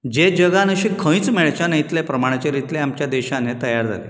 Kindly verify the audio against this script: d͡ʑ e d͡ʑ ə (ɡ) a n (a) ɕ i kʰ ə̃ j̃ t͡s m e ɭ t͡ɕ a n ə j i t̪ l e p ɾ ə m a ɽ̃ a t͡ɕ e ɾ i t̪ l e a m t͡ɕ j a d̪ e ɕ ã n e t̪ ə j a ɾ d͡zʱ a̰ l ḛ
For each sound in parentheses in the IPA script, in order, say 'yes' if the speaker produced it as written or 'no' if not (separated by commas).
yes, no